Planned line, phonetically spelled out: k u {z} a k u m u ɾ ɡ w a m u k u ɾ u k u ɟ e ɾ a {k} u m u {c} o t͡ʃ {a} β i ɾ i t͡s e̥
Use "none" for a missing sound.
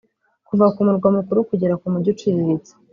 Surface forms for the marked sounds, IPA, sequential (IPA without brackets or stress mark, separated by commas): v, k, ɟ, i